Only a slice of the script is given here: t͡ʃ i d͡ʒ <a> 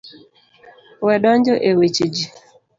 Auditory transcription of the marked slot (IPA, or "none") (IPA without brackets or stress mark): i